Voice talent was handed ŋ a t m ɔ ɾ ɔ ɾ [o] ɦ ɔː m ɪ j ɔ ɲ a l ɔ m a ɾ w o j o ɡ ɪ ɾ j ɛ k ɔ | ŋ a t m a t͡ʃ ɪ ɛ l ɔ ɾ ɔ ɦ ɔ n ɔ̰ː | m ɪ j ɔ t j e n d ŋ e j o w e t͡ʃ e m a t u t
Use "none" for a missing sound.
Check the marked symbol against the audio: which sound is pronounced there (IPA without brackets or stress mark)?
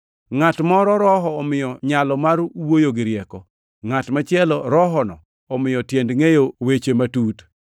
ɔ